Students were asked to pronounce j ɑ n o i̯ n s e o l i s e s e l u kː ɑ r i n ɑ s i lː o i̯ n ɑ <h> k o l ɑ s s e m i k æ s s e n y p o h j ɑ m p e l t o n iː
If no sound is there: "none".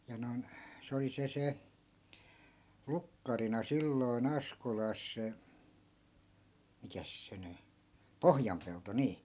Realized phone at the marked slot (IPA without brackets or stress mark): s